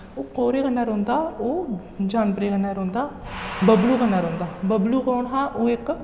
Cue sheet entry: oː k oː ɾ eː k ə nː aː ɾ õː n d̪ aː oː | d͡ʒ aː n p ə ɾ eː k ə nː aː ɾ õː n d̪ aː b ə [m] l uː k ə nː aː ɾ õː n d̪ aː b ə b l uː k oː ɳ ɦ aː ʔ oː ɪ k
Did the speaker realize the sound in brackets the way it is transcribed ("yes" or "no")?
no